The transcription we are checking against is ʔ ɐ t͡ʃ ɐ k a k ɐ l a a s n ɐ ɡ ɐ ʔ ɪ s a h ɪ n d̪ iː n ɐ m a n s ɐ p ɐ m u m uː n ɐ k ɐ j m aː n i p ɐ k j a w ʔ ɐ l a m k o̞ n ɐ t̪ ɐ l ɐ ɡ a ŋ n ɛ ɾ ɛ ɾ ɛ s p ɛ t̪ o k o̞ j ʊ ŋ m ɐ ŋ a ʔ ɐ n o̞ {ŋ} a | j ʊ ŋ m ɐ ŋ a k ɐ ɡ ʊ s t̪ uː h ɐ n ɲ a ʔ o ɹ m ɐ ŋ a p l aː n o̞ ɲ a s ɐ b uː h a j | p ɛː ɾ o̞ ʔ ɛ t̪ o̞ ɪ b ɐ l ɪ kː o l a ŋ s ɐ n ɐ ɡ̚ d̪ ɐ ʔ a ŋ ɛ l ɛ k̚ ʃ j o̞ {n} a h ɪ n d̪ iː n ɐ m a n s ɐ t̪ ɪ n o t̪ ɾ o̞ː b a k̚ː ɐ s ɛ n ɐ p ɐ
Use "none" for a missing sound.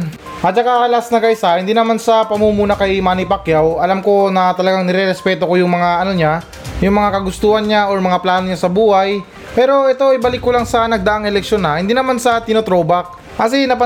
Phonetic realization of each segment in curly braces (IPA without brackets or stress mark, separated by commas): ɲ, n